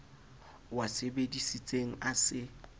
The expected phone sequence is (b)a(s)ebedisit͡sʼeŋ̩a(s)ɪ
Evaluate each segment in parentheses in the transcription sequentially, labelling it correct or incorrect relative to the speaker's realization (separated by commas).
incorrect, correct, correct